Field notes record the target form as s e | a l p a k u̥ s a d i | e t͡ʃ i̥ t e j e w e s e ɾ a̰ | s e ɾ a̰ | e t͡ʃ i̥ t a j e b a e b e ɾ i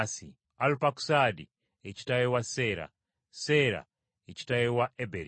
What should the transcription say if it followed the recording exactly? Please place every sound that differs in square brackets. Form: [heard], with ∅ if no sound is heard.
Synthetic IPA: s [i] | a l p a k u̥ s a d i | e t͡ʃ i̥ t [a] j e w [a] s e ɾ a̰ | s e ɾ a̰ | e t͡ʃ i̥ t a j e [w] a e b e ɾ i